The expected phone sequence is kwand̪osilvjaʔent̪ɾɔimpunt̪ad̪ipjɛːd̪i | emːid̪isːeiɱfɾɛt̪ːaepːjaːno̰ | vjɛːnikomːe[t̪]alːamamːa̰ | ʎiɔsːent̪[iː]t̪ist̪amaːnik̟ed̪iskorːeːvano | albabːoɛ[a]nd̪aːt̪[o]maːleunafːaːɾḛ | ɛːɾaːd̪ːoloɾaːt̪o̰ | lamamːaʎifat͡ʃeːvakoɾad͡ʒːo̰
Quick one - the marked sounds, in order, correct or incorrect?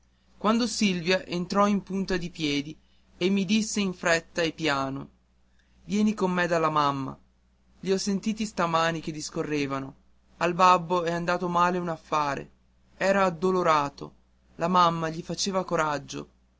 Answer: incorrect, correct, correct, correct

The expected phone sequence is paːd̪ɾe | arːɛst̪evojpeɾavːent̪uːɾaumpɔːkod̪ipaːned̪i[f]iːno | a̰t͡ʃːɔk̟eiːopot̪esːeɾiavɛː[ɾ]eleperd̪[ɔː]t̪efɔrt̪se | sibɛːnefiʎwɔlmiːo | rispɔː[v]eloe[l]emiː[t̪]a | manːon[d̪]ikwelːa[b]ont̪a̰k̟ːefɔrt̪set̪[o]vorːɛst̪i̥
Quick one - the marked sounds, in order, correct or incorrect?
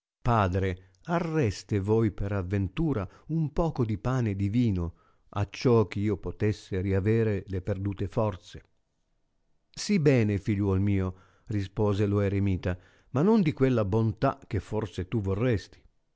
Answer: incorrect, correct, incorrect, incorrect, incorrect, correct, correct, correct, incorrect

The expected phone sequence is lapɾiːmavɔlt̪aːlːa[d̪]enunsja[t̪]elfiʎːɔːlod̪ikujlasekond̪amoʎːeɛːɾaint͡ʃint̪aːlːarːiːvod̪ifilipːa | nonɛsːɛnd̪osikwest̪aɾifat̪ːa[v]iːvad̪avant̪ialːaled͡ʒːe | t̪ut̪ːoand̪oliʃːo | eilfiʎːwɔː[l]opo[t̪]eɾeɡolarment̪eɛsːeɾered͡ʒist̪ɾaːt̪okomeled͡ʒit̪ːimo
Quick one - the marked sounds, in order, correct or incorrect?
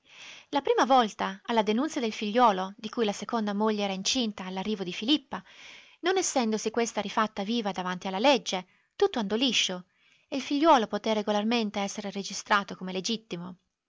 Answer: correct, incorrect, correct, correct, correct

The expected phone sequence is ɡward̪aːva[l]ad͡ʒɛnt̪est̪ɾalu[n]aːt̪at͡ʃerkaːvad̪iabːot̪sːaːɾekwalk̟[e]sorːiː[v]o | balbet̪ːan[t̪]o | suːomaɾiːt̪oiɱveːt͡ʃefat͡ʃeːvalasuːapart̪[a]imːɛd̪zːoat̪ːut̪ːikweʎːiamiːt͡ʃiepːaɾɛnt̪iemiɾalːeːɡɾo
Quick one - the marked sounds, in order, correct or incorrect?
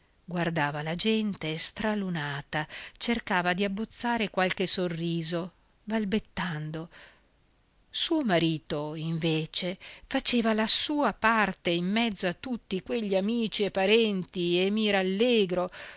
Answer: correct, correct, correct, incorrect, incorrect, incorrect

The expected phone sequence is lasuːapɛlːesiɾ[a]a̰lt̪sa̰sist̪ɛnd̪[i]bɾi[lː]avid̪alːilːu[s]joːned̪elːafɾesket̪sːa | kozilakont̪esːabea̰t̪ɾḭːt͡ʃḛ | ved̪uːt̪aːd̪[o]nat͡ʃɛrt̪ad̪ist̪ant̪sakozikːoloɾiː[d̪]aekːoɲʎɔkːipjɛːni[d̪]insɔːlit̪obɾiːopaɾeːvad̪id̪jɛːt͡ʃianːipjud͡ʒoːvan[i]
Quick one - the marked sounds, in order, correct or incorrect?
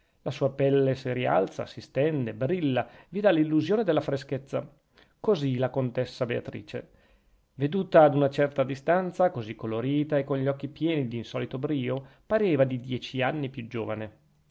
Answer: incorrect, incorrect, correct, incorrect, incorrect, incorrect, correct, incorrect

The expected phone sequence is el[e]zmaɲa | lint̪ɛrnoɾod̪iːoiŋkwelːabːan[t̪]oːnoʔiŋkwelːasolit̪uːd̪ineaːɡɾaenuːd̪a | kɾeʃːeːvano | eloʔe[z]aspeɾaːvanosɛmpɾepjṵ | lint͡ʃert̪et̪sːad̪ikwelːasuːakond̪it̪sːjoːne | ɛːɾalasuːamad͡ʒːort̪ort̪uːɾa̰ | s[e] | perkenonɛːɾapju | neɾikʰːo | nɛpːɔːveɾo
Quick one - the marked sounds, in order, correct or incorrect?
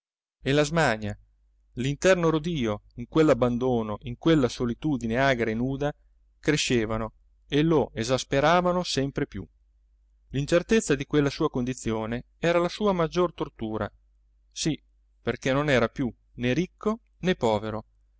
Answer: incorrect, incorrect, correct, incorrect

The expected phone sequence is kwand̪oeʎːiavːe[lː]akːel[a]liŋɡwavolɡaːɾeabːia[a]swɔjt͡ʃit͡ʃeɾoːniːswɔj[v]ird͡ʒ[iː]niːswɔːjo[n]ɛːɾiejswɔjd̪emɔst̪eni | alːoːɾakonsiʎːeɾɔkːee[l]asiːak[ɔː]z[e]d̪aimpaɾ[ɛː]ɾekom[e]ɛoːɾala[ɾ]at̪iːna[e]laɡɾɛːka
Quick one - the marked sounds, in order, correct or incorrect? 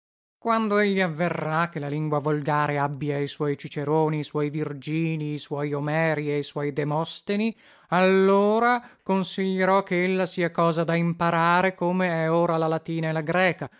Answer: incorrect, correct, incorrect, correct, correct, incorrect, incorrect, correct, incorrect, incorrect, correct, incorrect, correct

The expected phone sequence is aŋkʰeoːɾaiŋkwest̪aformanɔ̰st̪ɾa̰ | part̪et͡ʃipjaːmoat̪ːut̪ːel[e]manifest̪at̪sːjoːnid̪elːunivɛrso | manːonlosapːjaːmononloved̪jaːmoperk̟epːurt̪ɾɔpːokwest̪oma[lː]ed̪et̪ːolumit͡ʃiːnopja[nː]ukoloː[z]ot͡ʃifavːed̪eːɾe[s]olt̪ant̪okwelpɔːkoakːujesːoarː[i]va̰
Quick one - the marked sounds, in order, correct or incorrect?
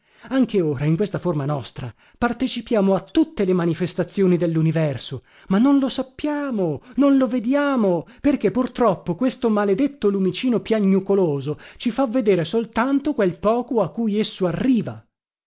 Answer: correct, incorrect, incorrect, correct, correct, incorrect

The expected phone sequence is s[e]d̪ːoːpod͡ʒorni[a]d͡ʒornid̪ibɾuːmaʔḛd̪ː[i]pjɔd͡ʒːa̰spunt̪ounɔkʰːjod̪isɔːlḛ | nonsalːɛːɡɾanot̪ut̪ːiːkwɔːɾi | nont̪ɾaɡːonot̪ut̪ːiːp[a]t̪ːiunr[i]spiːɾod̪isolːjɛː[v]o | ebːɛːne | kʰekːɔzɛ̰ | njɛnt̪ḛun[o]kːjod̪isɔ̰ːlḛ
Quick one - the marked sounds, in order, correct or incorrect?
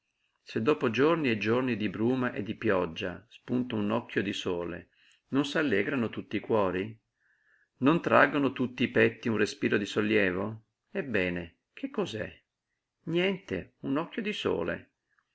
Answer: correct, incorrect, correct, incorrect, incorrect, correct, incorrect

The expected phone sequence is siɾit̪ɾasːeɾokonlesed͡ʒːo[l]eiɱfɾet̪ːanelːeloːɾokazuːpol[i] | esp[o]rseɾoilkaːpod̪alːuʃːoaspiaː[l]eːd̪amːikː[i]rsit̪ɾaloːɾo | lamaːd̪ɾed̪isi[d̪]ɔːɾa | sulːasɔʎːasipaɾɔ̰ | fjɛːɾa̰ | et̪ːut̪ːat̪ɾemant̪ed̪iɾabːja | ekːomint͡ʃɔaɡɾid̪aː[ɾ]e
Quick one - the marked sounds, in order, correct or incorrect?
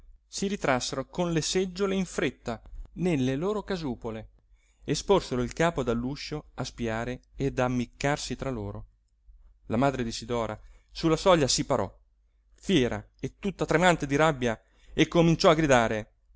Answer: correct, incorrect, correct, incorrect, incorrect, correct, correct

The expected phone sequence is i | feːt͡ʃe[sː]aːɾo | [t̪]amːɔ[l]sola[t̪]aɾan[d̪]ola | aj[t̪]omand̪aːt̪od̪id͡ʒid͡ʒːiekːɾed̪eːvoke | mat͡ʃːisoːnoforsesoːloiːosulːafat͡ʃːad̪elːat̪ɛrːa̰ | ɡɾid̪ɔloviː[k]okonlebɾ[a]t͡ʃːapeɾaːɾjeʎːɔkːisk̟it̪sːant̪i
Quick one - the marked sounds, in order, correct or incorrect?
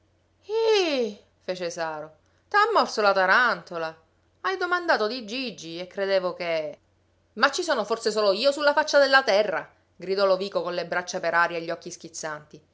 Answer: incorrect, correct, incorrect, correct, incorrect, incorrect, correct, correct

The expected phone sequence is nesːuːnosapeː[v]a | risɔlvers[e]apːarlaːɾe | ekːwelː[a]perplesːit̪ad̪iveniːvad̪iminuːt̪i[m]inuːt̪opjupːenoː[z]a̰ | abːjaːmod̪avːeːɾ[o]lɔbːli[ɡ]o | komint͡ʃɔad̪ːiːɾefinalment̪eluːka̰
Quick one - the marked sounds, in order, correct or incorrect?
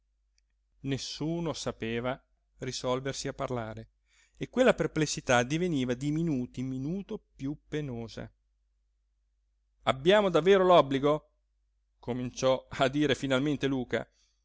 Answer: correct, incorrect, correct, correct, correct, correct, correct

